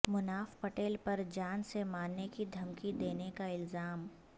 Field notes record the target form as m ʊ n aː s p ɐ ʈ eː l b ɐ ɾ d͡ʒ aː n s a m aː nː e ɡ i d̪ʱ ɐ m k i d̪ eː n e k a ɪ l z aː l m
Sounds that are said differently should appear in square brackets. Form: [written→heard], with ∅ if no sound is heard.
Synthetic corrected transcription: m ʊ n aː [s→f] p ɐ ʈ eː l [b→p] ɐ ɾ d͡ʒ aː n s [a→e] m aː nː e [ɡ→k] i d̪ʱ ɐ m k i d̪ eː n e k a ɪ l z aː [l→∅] m